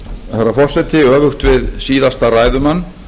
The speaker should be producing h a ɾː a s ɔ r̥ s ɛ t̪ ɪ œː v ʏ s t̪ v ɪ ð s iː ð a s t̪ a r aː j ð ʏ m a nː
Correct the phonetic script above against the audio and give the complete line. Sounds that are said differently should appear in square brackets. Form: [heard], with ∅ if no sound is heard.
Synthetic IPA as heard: [θ] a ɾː a [f] ɔ r̥ s ɛ t̪ ɪ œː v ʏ [x] t̪ v ɪ ð s iː ð a s t̪ a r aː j ð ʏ m a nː